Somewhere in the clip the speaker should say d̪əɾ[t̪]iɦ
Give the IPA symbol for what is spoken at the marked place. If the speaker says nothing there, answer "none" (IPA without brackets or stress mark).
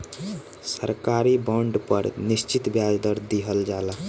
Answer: d̪